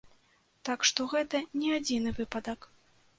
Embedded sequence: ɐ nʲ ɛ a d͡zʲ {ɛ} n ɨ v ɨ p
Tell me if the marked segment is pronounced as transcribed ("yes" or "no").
no